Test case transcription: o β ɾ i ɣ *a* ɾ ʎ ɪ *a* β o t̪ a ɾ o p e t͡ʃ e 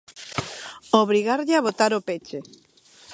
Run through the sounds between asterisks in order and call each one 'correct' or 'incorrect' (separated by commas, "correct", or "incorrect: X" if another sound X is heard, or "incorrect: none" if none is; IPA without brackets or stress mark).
correct, correct